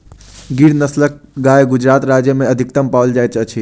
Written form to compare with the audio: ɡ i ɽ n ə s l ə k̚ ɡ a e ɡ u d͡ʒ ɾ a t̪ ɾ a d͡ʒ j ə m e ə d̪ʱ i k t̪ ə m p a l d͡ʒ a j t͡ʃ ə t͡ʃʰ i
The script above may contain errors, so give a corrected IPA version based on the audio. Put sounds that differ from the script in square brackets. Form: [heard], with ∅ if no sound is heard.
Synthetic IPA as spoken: ɡ i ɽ n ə s l ə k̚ ɡ a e ɡ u d͡ʒ ɾ a t̪ ɾ a d͡ʒ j ə m e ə d̪ʱ i k t̪ ə m p a l d͡ʒ a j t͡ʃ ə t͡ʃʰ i